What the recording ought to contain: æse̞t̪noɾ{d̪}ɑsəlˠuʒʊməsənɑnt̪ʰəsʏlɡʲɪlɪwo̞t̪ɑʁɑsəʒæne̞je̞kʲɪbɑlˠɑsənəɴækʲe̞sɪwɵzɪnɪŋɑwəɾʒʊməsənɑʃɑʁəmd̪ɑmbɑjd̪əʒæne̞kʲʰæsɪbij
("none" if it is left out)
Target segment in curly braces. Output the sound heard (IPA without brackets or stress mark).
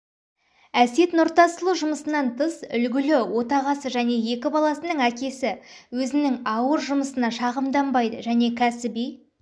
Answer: t̪